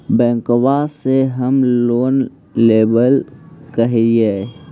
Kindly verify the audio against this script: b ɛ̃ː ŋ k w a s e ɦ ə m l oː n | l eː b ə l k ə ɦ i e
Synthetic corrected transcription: b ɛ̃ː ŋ k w a s e ɦ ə m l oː n | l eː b ə l k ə ɦ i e

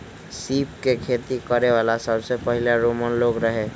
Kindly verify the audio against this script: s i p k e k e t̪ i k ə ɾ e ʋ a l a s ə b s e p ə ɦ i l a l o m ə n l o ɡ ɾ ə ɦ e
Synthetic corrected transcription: s i p k e kʰ e t̪ i k ə ɾ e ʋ a l a s ə b s e p ə ɦ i l a ɾ o m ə n l o ɡ ɾ ə ɦ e

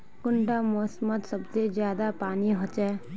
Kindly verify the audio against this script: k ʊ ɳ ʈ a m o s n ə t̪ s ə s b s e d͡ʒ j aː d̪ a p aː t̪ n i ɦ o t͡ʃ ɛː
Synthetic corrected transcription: k ʊ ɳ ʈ a m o s m ə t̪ s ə b s e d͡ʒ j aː d̪ a p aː n i ɦ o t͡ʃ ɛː

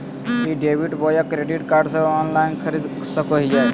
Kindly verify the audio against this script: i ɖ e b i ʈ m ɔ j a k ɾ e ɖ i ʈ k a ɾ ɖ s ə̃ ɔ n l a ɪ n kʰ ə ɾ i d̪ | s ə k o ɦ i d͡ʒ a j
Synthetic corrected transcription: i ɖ e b i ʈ b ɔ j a k ɾ e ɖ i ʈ k a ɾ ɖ s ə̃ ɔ n l a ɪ n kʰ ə ɾ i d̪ | s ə k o ɦ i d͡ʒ a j

